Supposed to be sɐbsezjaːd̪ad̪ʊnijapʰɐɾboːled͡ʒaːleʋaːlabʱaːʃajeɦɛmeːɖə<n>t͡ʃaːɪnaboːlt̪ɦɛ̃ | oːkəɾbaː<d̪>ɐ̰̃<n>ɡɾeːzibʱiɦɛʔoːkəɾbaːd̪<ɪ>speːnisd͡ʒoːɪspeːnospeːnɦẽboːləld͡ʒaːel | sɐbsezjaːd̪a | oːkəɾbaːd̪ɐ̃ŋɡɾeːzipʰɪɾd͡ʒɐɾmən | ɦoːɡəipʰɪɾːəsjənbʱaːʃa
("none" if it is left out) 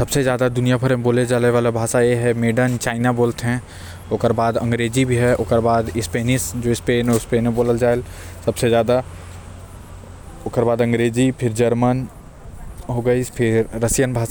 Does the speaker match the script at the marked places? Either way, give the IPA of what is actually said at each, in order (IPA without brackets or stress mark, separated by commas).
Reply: n, d̪, ŋ, ɪ